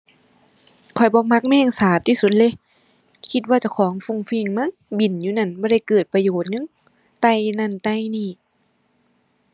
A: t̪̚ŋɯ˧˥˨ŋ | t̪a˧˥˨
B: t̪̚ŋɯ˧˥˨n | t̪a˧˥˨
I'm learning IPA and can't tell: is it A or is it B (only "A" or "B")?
A